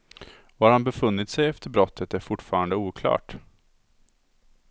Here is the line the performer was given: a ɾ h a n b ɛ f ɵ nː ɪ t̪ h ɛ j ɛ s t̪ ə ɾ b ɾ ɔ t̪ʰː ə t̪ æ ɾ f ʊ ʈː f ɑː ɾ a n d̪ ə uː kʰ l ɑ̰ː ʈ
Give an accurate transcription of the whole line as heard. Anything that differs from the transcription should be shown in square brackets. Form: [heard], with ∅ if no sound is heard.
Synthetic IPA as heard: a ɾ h a n b ɛ f ɵ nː ɪ t̪ [s] ɛ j ɛ [f] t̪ ə ɾ b ɾ ɔ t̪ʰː ə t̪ æ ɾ f ʊ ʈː f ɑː ɾ a n d̪ ə uː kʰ l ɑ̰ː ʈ